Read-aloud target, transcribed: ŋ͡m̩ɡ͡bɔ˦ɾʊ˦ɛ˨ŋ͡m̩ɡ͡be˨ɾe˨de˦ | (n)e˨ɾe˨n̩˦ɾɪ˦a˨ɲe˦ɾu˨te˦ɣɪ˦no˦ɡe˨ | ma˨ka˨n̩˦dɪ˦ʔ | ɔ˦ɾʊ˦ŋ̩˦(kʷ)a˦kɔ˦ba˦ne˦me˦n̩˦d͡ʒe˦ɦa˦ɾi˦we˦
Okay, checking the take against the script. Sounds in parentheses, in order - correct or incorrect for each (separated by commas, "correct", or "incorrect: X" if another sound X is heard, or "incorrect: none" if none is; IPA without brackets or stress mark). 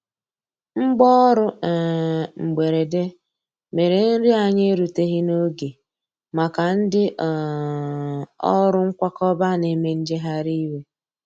incorrect: m, correct